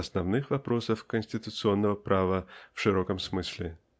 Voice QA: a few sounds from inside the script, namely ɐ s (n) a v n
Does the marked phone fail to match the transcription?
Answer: no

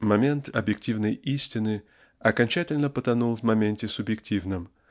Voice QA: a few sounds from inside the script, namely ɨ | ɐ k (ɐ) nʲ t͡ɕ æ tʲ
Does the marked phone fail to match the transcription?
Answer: no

